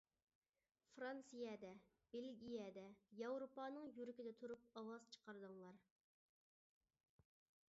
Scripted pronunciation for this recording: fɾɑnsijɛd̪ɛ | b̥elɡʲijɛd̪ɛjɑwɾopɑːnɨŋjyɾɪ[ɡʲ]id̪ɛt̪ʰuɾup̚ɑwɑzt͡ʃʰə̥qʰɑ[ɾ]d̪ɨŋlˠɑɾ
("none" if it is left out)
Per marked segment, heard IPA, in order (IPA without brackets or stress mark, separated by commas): kʲ, ɾ